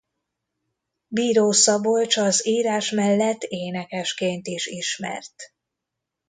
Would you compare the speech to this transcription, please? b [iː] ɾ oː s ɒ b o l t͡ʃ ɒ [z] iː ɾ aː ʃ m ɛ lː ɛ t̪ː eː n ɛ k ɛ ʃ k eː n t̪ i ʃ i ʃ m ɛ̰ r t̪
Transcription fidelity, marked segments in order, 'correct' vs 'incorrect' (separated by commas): correct, correct